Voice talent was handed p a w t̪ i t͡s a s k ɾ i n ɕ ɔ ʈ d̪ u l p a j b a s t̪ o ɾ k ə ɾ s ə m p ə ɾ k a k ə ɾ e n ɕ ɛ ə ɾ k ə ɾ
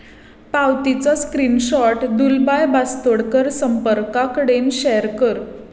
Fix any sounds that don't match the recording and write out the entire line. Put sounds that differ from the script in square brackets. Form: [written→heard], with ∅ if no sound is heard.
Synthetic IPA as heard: p a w t̪ i t͡s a s k ɾ i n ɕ ɔ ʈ d̪ u l [p→b] a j b a s t̪ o [ɾ→ɽ] k ə ɾ s ə m p ə ɾ k a k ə [ɾ→ɽ] e n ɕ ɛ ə ɾ k ə ɾ